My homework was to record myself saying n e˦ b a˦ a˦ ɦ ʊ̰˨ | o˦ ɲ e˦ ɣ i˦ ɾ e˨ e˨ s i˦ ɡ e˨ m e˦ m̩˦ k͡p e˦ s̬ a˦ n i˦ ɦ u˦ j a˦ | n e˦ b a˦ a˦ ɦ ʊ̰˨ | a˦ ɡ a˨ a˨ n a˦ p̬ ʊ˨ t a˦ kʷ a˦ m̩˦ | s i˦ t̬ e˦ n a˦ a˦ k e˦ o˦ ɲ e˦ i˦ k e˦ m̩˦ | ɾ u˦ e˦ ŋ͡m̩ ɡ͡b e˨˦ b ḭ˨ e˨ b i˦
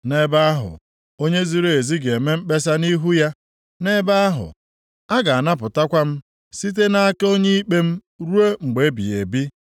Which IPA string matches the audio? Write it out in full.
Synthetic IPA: n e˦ b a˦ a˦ ɦ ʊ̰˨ | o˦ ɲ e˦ z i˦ ɾ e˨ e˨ z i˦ ɡ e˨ m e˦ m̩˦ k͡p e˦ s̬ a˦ n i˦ ɦ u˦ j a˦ | n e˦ b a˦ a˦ ɦ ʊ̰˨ | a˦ ɡ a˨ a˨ n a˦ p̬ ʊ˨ t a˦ kʷ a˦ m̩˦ | s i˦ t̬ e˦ n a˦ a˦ k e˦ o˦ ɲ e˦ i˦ k͡p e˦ m̩˦ | ɾ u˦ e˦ ŋ͡m̩ ɡ͡b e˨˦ b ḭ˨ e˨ b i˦